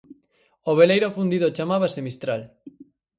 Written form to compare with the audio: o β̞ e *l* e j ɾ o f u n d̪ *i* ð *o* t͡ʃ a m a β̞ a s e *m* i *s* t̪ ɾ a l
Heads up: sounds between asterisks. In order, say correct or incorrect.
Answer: correct, correct, correct, correct, correct

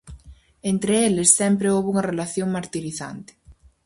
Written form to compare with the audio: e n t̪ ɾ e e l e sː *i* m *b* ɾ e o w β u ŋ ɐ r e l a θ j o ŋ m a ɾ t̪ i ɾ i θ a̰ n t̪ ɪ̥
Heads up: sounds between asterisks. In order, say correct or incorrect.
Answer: incorrect, incorrect

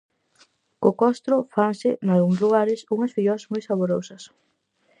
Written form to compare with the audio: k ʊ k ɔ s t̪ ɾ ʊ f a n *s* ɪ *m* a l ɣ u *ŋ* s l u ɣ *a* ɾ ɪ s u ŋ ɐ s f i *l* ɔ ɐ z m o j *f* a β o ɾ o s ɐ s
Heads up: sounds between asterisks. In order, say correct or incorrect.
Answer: correct, incorrect, correct, correct, incorrect, incorrect

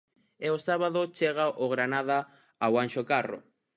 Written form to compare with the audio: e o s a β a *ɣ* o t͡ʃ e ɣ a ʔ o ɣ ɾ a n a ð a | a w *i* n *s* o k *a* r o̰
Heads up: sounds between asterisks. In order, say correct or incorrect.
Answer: incorrect, incorrect, incorrect, correct

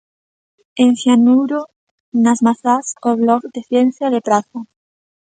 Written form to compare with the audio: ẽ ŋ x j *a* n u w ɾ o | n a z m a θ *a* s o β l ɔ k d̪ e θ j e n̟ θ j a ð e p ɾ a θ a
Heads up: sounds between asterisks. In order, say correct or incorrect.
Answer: correct, correct

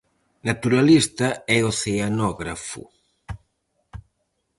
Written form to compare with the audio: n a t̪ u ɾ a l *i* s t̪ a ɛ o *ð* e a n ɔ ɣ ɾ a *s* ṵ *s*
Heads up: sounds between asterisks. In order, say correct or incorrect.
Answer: correct, incorrect, incorrect, incorrect

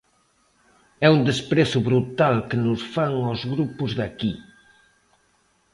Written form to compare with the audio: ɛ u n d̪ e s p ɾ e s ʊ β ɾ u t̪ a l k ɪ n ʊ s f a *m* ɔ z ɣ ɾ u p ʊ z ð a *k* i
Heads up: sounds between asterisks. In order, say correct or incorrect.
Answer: incorrect, correct

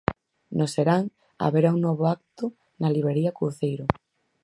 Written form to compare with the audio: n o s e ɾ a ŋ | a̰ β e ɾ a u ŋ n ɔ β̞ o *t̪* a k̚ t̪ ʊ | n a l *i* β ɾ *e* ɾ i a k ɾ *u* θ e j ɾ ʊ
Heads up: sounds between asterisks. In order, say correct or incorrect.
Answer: incorrect, correct, correct, correct

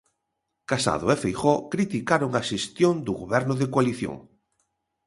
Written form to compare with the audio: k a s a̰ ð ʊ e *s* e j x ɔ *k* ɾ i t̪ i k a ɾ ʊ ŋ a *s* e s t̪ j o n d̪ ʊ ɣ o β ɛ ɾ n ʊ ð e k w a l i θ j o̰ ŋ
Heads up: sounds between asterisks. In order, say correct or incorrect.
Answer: incorrect, correct, incorrect

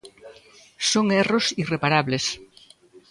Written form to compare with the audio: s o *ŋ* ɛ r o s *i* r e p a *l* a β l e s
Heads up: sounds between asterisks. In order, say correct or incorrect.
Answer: correct, correct, incorrect

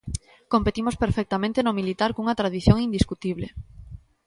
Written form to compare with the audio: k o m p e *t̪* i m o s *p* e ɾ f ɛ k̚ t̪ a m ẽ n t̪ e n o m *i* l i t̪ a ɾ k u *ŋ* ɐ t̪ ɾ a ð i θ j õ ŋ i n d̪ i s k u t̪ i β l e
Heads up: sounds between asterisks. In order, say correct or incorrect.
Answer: correct, correct, correct, correct

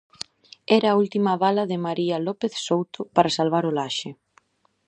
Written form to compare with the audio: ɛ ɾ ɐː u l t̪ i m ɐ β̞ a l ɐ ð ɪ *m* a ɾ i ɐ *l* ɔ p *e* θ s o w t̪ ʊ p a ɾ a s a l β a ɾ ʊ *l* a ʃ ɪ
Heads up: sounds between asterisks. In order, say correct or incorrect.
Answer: correct, correct, correct, correct

